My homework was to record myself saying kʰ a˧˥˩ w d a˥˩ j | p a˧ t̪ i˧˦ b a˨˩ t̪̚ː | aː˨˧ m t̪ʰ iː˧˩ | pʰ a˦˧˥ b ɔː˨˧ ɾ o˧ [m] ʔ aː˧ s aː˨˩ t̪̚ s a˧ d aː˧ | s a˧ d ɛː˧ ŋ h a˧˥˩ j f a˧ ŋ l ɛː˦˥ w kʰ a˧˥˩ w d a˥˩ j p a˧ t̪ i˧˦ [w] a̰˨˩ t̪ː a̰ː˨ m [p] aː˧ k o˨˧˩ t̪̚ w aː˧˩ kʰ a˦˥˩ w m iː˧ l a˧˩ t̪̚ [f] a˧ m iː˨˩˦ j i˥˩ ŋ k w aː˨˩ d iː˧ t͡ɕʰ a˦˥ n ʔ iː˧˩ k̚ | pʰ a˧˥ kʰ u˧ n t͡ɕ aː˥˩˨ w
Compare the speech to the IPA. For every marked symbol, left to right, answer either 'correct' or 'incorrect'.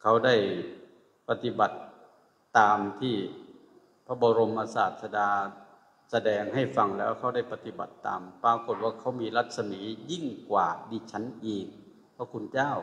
correct, incorrect, correct, incorrect

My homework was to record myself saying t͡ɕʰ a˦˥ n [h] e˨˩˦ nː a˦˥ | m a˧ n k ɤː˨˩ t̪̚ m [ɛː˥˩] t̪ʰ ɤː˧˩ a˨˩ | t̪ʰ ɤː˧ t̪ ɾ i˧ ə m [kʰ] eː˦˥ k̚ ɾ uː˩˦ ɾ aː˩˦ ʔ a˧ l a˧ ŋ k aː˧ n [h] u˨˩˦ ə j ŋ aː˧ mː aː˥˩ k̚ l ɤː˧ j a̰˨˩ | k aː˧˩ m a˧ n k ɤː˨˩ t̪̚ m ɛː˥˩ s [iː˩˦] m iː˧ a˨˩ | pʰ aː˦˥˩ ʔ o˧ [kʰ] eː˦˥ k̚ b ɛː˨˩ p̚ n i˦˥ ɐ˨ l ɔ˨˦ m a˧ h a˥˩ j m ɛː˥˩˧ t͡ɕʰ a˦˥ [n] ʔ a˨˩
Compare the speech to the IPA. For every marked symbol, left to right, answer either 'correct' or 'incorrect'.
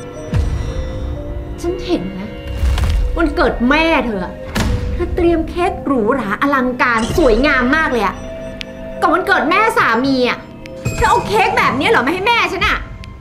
correct, correct, correct, incorrect, incorrect, correct, correct

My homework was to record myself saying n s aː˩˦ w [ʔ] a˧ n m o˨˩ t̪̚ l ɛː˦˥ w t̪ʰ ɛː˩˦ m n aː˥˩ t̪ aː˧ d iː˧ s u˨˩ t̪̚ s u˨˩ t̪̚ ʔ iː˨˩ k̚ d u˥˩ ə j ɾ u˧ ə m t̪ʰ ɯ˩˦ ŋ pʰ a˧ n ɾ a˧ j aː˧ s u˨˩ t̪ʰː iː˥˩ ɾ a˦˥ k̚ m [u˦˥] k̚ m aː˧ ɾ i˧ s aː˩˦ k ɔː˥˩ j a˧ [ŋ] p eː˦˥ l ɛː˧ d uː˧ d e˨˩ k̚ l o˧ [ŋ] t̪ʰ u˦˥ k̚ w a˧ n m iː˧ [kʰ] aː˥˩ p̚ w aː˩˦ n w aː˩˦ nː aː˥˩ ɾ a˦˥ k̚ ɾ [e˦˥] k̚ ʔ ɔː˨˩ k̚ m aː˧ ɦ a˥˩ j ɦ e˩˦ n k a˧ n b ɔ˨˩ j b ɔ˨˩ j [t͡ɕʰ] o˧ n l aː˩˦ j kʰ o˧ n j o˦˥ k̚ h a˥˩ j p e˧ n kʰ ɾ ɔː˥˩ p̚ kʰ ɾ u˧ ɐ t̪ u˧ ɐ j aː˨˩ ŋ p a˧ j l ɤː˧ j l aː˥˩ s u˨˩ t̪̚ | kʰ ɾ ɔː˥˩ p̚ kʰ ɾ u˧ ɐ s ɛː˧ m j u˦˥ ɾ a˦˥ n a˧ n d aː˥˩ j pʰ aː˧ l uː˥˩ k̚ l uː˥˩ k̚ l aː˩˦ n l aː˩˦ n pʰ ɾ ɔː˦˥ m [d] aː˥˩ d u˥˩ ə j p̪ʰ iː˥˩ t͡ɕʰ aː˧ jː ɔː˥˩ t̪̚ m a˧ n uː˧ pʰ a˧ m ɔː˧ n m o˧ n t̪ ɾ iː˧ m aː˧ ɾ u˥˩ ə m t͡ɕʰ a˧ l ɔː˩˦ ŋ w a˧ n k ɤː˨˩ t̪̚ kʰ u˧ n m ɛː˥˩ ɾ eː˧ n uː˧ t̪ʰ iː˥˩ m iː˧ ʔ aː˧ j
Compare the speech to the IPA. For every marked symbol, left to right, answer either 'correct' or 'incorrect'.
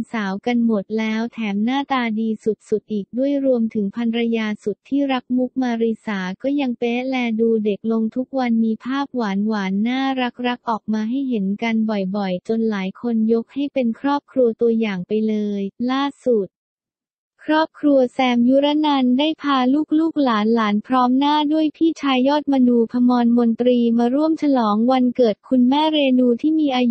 incorrect, correct, correct, correct, incorrect, incorrect, incorrect, incorrect

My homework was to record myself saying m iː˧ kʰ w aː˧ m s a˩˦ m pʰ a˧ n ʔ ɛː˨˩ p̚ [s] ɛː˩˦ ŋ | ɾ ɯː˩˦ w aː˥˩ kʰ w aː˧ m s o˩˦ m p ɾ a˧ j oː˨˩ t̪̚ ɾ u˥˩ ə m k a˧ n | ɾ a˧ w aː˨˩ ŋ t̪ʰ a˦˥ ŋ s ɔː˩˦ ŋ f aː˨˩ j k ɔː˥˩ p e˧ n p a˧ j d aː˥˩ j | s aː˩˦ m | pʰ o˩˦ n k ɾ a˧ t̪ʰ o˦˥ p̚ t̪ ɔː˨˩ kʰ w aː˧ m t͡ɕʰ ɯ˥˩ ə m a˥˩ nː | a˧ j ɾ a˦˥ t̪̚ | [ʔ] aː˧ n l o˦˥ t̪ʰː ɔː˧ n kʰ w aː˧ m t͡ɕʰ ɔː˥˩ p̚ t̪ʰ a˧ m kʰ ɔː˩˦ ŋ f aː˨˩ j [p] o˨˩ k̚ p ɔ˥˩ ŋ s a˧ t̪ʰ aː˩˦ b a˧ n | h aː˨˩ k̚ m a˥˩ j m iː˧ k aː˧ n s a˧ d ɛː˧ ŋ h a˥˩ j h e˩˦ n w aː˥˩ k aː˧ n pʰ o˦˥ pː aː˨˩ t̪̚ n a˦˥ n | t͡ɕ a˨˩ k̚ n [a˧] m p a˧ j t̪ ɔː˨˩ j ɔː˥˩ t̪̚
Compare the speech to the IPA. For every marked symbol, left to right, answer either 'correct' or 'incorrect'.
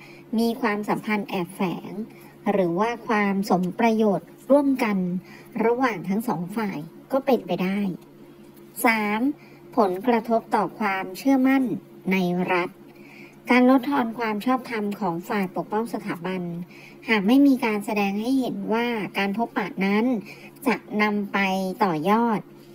incorrect, incorrect, correct, correct

